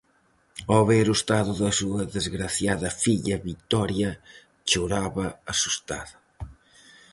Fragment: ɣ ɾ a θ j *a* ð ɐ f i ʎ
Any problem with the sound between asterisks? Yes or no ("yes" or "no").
no